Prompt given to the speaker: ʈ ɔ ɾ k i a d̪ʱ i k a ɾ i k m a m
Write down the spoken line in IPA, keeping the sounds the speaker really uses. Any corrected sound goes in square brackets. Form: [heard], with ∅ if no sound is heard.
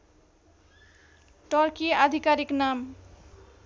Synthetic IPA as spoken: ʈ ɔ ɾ k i a d̪ʱ i k a ɾ i k [n] a m